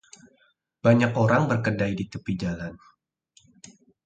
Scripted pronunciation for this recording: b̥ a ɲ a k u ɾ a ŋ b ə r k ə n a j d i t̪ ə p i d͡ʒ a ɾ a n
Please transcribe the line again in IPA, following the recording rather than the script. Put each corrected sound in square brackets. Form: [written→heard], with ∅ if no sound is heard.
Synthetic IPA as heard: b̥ a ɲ a k [u→o] ɾ a ŋ b ə r k ə [n→d] a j d i t̪ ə p i d͡ʒ a [ɾ→l] a n